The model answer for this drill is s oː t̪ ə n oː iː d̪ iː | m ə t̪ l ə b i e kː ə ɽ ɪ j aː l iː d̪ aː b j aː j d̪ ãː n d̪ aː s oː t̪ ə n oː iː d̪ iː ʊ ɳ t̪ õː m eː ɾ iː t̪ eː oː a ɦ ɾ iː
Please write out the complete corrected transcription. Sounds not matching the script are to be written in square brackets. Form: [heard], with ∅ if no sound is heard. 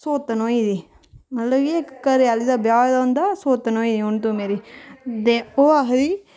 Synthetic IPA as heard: s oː t̪ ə n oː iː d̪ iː | m ə t̪ l ə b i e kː ə [ɾ] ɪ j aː l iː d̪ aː b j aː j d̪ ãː n d̪ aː s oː t̪ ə n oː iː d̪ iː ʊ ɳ t̪ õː m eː ɾ iː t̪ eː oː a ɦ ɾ iː